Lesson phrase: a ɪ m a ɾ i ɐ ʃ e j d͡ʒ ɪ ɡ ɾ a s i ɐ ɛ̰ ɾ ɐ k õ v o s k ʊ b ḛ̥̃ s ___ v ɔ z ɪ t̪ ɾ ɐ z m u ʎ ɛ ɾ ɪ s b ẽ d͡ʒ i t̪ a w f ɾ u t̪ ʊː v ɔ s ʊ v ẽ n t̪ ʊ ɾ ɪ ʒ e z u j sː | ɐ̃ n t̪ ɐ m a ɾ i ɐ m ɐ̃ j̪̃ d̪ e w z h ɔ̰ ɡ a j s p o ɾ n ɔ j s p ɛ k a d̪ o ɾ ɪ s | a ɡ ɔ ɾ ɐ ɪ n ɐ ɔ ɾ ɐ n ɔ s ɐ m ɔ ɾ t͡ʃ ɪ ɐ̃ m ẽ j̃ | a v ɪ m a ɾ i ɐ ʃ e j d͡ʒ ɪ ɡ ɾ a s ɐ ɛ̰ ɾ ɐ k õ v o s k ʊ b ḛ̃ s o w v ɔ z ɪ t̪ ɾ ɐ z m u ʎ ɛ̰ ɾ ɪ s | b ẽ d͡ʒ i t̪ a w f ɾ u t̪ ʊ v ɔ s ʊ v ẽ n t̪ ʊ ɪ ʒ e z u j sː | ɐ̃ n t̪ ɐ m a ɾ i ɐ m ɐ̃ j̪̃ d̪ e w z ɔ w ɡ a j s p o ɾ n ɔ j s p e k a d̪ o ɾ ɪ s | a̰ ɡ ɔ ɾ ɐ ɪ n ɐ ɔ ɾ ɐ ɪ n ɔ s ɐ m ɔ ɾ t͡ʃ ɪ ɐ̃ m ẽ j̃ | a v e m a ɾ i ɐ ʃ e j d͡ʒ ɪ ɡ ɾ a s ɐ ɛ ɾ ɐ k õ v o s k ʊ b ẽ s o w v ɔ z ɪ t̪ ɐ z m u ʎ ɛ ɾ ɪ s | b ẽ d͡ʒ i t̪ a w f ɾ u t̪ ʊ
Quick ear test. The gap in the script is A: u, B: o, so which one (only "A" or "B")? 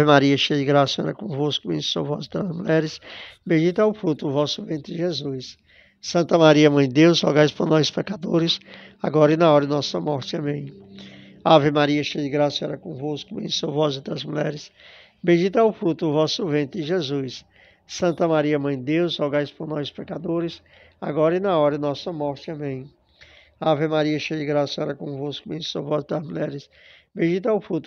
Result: B